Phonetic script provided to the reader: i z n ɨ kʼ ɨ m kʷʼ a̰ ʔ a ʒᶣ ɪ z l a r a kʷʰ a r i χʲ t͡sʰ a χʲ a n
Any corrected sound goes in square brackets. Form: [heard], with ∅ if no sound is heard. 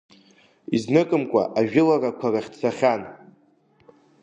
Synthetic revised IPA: i z n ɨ kʼ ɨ m kʷʼ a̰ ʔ a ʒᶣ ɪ [∅] l a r a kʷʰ a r [a] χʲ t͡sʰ a χʲ a n